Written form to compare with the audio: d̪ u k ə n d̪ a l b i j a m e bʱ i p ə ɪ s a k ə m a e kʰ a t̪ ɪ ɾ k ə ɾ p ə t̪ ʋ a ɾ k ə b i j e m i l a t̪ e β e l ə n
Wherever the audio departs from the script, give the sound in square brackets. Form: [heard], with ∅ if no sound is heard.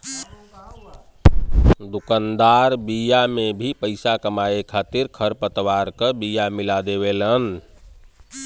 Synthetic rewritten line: d̪ u k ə n d̪ a [ɾ] b i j a m e bʱ i p ə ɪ s a k ə m a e kʰ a t̪ [i] ɾ [kʰ] ə ɾ p ə t̪ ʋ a ɾ k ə b i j [a] m i l a [d̪] e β e l ə n